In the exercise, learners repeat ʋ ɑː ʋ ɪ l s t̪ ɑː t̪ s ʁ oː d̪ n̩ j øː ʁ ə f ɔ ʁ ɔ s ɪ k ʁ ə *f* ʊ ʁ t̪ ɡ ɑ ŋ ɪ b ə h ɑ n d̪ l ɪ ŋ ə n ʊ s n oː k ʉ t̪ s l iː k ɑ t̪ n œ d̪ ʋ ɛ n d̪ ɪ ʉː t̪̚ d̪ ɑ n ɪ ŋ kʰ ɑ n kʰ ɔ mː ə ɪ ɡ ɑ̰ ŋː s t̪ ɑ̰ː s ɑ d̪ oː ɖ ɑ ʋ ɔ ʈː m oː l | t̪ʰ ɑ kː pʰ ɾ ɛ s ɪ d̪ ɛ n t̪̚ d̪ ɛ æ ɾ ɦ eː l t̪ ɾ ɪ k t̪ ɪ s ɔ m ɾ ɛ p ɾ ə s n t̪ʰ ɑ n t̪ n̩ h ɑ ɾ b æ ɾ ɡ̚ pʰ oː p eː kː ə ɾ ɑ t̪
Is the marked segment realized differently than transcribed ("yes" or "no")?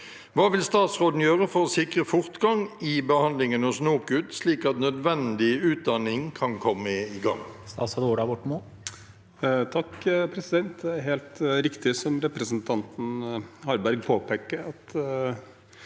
no